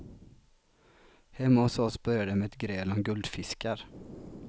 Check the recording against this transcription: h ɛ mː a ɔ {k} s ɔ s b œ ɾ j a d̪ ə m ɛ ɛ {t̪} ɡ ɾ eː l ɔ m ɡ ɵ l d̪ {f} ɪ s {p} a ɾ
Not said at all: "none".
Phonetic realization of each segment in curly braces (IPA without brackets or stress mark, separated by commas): none, t̪, f, k